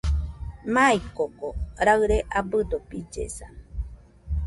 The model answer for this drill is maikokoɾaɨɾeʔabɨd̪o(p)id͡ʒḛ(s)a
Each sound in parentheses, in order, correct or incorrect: correct, correct

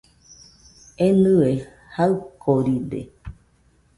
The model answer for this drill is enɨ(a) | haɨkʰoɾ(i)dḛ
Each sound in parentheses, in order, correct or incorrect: incorrect, correct

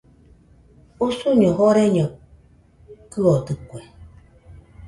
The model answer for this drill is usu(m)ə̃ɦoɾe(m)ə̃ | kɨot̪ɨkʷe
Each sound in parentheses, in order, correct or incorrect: incorrect, incorrect

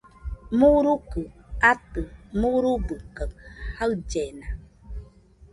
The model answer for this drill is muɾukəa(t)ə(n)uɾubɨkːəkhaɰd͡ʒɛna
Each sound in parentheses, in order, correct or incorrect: correct, incorrect

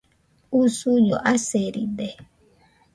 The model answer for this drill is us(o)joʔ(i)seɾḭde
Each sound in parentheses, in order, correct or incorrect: incorrect, incorrect

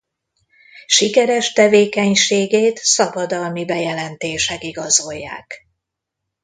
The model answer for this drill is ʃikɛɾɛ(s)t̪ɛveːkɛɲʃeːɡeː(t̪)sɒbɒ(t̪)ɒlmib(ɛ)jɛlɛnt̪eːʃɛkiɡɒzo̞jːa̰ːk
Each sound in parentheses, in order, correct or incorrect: incorrect, correct, incorrect, correct

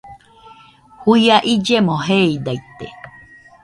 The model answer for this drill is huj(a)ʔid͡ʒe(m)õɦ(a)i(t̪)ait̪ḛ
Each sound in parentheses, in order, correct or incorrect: correct, correct, incorrect, incorrect

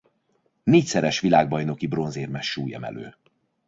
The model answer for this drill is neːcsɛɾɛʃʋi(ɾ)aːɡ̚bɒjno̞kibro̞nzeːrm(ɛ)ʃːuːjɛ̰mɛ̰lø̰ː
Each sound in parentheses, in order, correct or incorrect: incorrect, correct

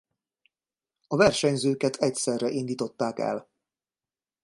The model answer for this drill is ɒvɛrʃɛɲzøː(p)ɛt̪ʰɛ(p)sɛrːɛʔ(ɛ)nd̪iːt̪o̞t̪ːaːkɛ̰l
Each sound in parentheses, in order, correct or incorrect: incorrect, incorrect, incorrect

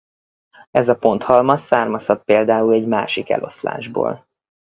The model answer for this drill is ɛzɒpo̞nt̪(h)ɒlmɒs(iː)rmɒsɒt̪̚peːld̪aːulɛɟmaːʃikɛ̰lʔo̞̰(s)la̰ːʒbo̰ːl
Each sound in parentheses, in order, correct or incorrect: correct, incorrect, correct

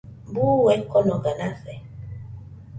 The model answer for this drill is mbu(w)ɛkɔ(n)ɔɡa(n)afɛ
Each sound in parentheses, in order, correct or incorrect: correct, correct, correct

